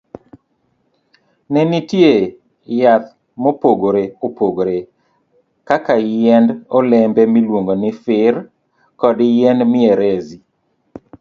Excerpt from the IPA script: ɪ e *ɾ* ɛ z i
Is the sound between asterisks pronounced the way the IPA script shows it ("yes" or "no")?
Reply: yes